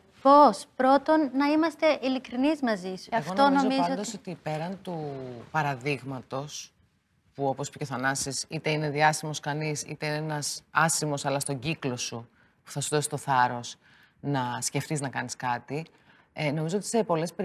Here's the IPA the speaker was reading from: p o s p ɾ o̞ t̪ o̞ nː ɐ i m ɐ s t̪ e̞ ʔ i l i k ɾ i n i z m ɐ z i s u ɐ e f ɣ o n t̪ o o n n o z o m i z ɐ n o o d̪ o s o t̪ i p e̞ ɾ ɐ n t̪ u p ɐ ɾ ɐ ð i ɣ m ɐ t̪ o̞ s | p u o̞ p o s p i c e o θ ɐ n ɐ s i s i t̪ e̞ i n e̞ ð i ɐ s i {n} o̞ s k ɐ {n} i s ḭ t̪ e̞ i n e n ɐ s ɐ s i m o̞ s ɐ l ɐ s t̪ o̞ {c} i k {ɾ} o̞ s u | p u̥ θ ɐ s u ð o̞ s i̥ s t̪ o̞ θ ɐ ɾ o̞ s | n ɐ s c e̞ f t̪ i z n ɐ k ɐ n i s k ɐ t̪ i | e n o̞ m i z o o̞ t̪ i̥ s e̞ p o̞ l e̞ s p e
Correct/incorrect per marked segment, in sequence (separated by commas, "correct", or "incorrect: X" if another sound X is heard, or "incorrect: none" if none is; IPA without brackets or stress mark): incorrect: m, correct, incorrect: ɟ, incorrect: l